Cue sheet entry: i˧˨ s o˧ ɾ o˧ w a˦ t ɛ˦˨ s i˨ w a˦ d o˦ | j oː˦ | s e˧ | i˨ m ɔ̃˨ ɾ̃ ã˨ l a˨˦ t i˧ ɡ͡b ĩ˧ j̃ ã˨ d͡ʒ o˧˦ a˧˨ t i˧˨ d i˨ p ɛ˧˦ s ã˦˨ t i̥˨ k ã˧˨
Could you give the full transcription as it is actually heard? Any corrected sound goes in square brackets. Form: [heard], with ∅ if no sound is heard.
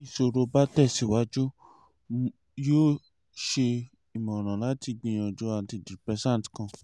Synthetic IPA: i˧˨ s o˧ ɾ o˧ [b] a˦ t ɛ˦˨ s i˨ w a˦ [d͡ʒ] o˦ | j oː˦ | [ʃ] e˧ | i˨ m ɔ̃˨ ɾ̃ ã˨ l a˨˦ t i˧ ɡ͡b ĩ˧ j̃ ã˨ d͡ʒ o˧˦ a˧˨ t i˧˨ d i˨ p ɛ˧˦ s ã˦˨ t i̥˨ k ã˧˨